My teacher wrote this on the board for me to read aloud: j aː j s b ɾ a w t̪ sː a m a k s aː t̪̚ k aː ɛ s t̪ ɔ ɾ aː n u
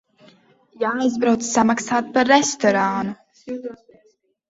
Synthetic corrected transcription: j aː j z b ɾ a w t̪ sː a m a k s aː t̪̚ p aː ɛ s t̪ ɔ ɾ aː n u